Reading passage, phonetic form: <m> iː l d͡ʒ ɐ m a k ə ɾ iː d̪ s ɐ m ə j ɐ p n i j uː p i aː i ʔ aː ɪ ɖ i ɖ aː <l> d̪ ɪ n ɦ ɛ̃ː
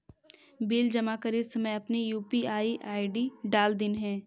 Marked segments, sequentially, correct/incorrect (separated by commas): incorrect, correct